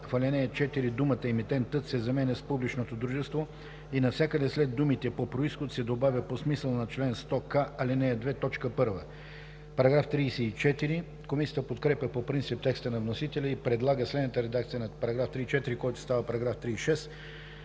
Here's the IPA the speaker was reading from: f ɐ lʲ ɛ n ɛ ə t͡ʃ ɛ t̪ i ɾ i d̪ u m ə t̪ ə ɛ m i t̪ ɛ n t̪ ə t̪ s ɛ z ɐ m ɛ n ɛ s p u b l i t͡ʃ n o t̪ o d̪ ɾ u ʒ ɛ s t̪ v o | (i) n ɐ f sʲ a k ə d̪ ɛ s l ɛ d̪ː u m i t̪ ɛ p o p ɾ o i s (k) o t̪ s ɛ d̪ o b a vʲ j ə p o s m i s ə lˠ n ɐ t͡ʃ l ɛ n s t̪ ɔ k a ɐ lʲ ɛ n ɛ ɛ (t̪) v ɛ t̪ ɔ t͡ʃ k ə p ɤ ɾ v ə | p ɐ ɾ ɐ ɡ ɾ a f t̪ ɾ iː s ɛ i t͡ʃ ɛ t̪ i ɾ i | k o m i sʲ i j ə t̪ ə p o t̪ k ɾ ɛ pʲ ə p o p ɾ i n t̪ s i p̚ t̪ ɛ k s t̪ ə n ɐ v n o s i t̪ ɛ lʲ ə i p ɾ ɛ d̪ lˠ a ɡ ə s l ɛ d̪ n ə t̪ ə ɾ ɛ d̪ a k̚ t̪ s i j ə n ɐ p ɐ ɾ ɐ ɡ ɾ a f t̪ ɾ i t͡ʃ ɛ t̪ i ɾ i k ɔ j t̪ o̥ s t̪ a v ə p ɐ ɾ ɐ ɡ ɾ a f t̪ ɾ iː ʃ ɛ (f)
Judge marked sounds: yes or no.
yes, no, no, no

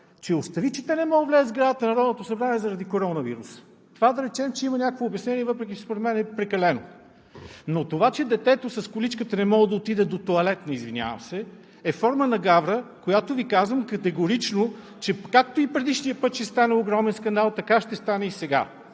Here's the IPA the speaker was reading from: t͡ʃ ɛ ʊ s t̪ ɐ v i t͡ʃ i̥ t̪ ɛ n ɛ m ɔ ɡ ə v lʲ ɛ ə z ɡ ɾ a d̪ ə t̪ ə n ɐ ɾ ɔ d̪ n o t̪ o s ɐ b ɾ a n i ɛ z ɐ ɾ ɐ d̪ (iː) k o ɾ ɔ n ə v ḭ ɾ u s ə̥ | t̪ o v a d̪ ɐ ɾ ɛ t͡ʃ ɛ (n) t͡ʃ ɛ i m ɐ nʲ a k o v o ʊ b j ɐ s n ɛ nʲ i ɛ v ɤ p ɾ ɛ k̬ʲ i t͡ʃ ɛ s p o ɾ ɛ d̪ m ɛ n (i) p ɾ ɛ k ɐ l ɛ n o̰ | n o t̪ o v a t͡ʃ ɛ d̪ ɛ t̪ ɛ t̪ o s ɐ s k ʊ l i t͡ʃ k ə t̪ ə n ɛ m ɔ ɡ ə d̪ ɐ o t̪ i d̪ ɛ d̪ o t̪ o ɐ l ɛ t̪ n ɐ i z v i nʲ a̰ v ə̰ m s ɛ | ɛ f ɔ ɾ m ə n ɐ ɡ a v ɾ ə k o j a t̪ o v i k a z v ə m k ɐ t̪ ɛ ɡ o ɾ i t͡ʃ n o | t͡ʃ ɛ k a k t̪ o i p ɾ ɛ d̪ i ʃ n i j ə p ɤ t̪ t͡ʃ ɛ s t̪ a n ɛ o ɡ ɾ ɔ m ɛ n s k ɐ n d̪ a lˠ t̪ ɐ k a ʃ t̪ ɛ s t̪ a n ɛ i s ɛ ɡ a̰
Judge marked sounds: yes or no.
no, no, no

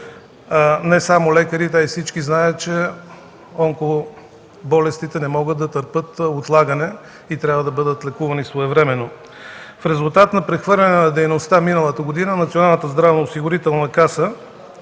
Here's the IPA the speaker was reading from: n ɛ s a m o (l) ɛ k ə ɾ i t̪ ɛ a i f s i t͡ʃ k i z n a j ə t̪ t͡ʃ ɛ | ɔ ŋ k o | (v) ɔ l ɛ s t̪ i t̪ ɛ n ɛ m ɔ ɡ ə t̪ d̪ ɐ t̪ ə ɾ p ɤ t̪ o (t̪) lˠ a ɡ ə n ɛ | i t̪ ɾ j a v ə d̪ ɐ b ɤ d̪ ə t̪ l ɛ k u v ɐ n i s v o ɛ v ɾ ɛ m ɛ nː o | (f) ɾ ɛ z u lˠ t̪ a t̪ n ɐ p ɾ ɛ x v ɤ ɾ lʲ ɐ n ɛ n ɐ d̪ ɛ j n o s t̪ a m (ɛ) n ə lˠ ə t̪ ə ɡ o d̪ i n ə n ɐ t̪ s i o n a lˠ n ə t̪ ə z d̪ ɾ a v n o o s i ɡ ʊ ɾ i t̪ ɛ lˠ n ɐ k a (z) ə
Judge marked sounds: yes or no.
yes, no, yes, yes, no, no

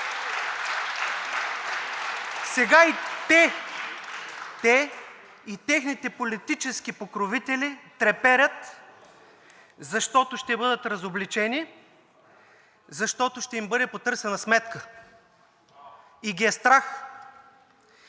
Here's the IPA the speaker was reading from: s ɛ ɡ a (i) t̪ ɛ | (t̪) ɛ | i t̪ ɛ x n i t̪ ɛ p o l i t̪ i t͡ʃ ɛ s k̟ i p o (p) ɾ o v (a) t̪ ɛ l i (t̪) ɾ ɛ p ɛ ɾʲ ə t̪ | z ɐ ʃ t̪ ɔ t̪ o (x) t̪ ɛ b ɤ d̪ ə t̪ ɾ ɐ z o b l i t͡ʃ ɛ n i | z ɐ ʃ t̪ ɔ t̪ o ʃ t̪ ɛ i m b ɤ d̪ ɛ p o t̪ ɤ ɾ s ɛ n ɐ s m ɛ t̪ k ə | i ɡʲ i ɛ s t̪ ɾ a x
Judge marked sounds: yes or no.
yes, yes, no, no, yes, no

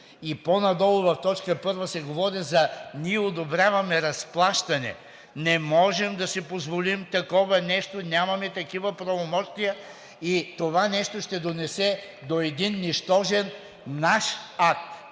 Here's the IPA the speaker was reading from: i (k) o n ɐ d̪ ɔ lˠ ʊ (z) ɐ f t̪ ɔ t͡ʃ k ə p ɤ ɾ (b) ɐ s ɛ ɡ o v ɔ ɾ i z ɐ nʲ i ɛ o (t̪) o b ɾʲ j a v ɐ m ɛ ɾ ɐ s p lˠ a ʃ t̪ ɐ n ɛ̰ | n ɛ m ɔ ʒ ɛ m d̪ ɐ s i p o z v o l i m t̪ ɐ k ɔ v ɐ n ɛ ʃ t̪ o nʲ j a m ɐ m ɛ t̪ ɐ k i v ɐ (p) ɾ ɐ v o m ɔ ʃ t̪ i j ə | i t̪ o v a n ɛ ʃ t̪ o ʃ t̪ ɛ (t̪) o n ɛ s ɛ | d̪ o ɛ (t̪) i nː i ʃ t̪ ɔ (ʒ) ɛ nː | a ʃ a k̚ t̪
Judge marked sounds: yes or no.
no, no, no, no, yes, no, no, yes

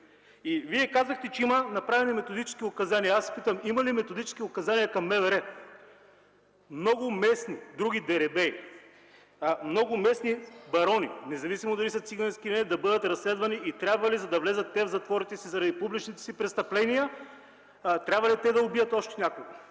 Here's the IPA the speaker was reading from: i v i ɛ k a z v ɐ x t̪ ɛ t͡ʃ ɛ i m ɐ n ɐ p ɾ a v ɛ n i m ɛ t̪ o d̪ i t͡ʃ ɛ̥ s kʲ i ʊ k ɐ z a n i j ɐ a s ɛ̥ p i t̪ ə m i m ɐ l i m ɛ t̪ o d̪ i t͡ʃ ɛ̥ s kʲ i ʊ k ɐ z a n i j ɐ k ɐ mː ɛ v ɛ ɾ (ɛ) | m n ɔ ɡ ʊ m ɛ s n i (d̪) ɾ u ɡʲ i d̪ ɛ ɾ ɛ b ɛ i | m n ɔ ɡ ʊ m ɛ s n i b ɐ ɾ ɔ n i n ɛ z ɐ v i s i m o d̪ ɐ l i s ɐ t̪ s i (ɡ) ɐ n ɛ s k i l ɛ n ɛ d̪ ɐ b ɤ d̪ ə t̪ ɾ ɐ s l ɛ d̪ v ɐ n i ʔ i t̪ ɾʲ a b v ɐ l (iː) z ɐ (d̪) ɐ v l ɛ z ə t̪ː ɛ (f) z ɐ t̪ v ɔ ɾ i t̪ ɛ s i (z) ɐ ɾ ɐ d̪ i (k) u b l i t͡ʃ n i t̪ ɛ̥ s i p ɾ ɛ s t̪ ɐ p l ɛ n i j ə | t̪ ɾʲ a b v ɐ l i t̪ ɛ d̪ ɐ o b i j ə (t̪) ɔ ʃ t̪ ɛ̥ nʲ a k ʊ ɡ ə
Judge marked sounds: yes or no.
yes, yes, yes, no, yes, no, yes, no, yes

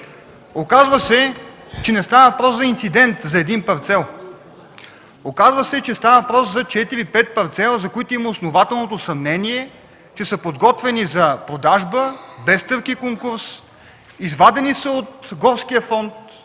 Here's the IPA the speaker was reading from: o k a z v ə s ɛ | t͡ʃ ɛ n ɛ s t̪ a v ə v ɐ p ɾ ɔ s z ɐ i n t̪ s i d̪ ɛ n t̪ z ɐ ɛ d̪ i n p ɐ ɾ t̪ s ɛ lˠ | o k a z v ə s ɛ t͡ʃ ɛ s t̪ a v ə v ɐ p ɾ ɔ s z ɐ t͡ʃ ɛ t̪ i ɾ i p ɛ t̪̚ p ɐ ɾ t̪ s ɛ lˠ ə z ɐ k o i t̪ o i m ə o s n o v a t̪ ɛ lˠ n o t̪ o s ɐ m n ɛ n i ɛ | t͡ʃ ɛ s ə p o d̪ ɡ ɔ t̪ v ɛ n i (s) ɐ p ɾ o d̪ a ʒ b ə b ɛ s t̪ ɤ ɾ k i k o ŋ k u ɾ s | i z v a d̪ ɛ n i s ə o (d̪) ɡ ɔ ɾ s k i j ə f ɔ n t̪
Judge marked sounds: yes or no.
no, no

